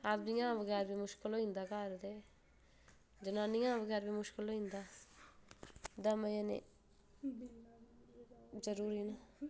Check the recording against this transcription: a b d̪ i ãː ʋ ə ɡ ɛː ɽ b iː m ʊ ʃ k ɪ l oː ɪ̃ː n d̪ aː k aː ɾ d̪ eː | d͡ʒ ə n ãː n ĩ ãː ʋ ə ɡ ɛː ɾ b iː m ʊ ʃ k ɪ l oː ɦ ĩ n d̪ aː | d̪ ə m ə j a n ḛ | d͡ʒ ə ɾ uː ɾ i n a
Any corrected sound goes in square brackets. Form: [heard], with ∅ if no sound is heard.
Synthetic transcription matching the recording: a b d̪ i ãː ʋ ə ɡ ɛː [ɾ] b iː m ʊ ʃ k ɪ l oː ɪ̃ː n d̪ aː k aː ɾ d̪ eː | d͡ʒ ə n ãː n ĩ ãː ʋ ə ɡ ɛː ɾ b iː m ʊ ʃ k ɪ l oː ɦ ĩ n d̪ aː | d̪ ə m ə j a n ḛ | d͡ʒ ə ɾ uː ɾ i n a

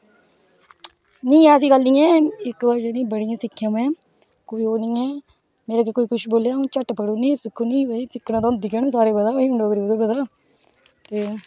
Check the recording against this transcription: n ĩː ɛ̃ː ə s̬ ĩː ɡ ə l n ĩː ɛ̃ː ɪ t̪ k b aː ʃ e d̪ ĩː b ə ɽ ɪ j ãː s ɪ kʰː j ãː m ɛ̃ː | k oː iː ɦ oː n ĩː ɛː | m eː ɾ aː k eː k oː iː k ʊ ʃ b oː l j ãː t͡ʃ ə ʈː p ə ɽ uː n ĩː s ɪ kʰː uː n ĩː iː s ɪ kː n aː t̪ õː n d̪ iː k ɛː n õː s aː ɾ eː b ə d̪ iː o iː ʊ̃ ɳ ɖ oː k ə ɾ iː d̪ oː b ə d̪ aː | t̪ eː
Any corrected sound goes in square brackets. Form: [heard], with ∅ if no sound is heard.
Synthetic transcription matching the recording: n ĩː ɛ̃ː ə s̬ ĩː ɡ ə l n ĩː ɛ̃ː ɪ [∅] k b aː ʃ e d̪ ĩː b ə ɽ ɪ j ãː s ɪ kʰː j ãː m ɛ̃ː | k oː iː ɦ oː n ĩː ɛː | m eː ɾ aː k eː k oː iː k ʊ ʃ b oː l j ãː t͡ʃ ə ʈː p ə ɽ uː n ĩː s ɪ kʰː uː n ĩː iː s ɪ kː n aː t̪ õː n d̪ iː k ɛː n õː s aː ɾ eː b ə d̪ [aː] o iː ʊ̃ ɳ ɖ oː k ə ɾ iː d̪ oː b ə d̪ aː | t̪ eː

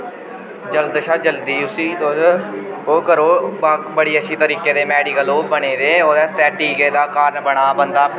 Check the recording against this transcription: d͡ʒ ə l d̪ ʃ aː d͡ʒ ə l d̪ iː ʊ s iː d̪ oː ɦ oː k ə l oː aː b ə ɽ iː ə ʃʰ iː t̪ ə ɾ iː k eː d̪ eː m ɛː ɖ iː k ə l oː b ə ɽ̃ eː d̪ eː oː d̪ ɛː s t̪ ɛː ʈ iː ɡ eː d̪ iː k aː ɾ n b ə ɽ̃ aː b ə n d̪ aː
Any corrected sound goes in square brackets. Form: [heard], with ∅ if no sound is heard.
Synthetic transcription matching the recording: d͡ʒ ə l d̪ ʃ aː d͡ʒ ə l d̪ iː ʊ s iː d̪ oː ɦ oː k ə [ɾ] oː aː b ə ɽ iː ə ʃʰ iː t̪ ə ɾ iː k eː d̪ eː m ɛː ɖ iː k ə l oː b ə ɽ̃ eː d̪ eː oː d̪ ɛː s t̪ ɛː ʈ iː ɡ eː d̪ [aː] k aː ɾ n b ə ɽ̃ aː b ə n d̪ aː

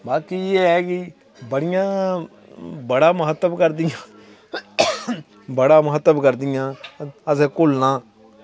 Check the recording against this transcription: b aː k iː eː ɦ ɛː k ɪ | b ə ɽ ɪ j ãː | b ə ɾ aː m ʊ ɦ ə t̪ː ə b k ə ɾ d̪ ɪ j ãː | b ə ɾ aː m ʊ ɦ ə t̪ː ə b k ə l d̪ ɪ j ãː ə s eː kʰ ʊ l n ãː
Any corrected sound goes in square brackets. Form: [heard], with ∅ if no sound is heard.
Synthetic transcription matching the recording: b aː k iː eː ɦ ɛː k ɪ | b ə ɽ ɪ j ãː | b ə [ɽ] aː m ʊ ɦ ə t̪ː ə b k ə ɾ d̪ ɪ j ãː | b ə [ɽ] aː m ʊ ɦ ə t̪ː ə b k ə [ɾ] d̪ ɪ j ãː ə s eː [k] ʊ l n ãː

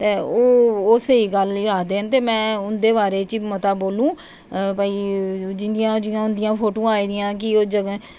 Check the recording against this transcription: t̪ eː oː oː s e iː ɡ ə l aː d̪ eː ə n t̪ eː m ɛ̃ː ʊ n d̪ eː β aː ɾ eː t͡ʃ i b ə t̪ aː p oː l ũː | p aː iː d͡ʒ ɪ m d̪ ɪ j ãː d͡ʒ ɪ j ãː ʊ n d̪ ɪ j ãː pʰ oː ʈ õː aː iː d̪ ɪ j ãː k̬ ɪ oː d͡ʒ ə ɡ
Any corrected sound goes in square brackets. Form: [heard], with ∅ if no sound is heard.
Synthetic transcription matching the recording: t̪ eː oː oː s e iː ɡ ə l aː d̪ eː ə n t̪ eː m ɛ̃ː ʊ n d̪ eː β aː ɾ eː t͡ʃ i [m] ə t̪ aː [b] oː l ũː | p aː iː d͡ʒ ɪ [n] d̪ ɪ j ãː d͡ʒ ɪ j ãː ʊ n d̪ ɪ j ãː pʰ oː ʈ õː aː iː d̪ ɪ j ãː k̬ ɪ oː d͡ʒ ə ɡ

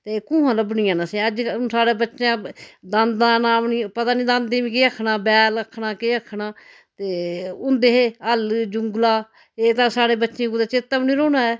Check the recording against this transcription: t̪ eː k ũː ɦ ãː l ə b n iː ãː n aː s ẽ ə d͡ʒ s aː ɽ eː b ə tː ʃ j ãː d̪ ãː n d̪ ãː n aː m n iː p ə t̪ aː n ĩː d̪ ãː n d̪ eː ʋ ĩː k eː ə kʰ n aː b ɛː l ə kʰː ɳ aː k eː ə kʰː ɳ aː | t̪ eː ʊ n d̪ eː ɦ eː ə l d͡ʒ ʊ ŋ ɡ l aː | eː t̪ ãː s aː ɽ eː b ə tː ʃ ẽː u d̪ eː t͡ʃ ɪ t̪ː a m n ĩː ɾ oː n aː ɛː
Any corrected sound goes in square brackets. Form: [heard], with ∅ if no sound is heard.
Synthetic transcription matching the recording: t̪ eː k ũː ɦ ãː l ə b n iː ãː n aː s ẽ ə d͡ʒ s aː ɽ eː b ə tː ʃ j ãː d̪ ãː n d̪ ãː n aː m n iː p ə t̪ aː n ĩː d̪ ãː n d̪ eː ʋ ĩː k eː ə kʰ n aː b ɛː l ə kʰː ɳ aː k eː ə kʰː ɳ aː | t̪ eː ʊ n d̪ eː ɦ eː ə l d͡ʒ ʊ ŋ ɡ l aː | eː t̪ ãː s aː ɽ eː b ə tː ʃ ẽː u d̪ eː t͡ʃ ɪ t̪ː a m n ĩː ɾ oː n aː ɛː

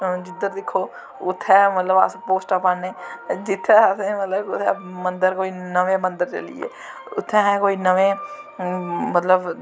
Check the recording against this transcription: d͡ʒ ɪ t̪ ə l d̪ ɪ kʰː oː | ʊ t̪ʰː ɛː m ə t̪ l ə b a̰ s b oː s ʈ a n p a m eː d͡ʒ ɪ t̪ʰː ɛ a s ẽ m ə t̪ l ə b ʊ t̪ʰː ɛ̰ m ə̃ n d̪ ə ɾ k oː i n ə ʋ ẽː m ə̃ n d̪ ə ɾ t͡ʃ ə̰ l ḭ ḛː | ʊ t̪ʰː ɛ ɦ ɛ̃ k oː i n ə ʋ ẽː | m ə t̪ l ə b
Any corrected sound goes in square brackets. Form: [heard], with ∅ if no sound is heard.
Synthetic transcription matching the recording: d͡ʒ ɪ [d̪] ə [ɾ] d̪ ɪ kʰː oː | ʊ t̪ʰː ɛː m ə t̪ l ə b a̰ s [p] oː s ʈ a [∅] p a [n] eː d͡ʒ ɪ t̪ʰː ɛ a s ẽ m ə t̪ l ə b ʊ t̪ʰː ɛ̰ m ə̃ n d̪ ə ɾ k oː i n ə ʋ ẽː m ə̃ n d̪ ə ɾ t͡ʃ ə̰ l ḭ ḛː | ʊ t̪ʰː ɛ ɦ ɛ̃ k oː i n ə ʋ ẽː | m ə t̪ l ə b

